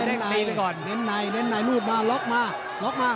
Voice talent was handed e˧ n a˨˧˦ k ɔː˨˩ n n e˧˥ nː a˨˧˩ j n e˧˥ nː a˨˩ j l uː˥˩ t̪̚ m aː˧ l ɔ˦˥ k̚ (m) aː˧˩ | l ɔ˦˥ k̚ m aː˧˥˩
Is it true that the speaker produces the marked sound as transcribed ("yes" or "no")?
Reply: yes